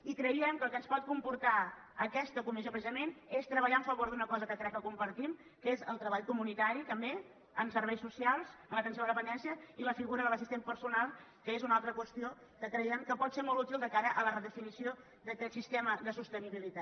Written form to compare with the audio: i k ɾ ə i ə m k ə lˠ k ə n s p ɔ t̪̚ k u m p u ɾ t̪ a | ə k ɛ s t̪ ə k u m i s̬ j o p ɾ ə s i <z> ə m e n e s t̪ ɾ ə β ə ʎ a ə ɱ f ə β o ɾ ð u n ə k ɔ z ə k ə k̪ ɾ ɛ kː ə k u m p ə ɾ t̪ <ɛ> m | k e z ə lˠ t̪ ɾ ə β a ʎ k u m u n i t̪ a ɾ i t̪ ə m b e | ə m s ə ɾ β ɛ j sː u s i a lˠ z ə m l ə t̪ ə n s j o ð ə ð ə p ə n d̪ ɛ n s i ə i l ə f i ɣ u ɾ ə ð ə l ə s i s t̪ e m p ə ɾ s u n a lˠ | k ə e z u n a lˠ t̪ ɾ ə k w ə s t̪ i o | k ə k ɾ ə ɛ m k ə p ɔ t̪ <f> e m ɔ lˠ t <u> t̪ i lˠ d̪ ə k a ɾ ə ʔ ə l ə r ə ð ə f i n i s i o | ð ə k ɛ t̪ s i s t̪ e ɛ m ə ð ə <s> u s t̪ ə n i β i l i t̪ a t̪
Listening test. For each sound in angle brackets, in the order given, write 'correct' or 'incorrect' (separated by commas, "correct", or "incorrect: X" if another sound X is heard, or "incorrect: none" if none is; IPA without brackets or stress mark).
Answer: correct, incorrect: i, incorrect: s, correct, correct